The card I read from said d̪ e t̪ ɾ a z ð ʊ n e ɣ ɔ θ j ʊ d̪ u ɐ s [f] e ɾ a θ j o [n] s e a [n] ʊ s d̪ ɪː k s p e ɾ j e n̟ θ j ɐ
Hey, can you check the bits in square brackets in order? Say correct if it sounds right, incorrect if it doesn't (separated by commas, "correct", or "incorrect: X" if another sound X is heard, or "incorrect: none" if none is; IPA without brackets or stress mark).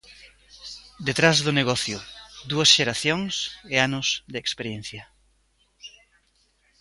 incorrect: ʃ, incorrect: ŋ, correct